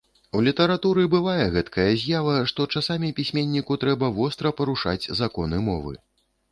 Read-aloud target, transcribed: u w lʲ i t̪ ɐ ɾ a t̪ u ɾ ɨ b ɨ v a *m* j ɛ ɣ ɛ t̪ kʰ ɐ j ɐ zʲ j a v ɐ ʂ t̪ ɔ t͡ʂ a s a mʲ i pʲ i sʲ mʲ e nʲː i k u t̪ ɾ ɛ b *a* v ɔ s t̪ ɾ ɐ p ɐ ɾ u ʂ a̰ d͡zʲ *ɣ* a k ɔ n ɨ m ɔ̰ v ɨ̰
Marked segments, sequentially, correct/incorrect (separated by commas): incorrect, incorrect, incorrect